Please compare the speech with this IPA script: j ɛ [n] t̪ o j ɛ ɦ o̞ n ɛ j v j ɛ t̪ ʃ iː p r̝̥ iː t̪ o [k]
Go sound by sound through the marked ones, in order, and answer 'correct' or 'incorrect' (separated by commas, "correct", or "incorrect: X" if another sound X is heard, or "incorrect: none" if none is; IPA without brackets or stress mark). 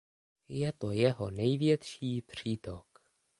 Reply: incorrect: none, correct